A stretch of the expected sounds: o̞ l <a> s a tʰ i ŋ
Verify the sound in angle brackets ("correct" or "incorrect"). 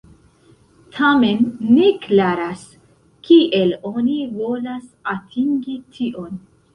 correct